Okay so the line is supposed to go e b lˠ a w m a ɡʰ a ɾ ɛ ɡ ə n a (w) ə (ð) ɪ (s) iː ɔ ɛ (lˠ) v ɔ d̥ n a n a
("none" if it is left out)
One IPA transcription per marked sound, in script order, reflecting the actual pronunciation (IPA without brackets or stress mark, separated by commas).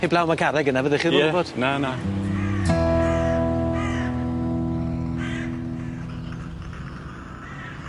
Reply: v, ð, χ, none